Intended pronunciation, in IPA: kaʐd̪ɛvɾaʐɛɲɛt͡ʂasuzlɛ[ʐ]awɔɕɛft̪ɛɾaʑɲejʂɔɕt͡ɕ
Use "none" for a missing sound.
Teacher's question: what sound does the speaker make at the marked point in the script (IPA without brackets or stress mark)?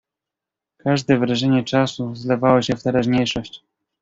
v